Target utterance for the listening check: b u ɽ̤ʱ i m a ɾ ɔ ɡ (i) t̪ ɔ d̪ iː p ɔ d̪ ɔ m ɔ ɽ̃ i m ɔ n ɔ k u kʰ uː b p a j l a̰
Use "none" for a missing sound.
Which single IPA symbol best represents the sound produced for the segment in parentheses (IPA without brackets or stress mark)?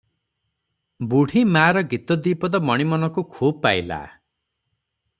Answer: i